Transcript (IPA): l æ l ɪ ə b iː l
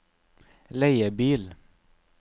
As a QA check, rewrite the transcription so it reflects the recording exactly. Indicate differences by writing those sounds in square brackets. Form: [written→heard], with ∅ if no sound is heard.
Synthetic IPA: l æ [l→∅] ɪ ə b iː l